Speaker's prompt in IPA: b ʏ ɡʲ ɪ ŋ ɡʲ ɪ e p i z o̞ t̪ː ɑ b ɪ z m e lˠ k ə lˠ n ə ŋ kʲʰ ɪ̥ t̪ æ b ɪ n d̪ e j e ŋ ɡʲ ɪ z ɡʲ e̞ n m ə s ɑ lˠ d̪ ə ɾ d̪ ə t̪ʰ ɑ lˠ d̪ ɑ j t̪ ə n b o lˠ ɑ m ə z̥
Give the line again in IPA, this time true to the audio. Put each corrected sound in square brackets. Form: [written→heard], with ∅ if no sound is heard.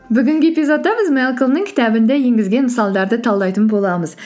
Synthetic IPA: b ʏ ɡʲ ɪ ŋ ɡʲ ɪ e p i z o̞ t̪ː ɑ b ɪ z m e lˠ k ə lˠ n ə ŋ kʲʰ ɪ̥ t̪ æ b ɪ n d̪ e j e ŋ ɡʲ ɪ z ɡʲ e̞ n m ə s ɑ lˠ d̪ [ə→ɑ] ɾ d̪ ə t̪ʰ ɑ lˠ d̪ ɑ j t̪ ə n b o lˠ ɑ m ə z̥